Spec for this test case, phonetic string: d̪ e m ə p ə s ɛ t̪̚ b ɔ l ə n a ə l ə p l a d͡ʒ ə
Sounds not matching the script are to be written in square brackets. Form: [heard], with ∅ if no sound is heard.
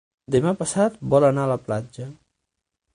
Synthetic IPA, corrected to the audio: d̪ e m [a] p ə s [a] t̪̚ b ɔ l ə n a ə l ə p l a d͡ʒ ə